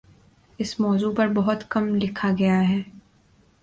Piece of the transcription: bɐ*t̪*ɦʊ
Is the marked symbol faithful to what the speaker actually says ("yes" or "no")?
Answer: no